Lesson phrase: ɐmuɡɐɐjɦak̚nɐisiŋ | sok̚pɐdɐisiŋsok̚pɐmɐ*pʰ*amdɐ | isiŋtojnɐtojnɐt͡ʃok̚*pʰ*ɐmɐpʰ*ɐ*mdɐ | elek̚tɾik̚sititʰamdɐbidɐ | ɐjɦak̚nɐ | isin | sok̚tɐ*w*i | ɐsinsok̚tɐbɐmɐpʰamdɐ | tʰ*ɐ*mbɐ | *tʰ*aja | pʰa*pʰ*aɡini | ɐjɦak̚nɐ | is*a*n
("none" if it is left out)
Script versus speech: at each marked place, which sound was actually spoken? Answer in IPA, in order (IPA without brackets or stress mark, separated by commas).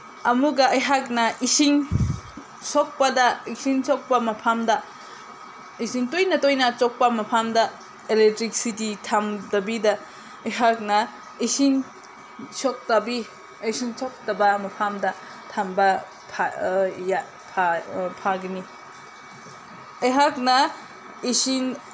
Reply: pʰ, p, a, b, a, pʰ, pʰ, i